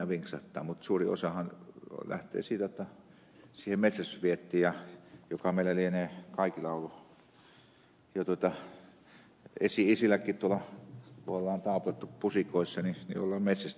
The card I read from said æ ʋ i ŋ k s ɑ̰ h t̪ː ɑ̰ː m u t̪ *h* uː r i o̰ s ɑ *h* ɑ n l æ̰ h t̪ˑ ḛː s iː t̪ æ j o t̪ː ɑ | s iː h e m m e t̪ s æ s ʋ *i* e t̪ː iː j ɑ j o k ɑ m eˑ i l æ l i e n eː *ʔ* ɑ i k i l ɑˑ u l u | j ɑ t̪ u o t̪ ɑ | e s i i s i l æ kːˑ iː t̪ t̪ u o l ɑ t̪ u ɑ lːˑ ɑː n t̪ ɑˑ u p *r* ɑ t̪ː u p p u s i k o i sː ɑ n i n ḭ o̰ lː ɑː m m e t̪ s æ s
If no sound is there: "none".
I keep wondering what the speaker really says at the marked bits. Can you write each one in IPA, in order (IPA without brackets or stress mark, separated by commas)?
s, h, i, k, l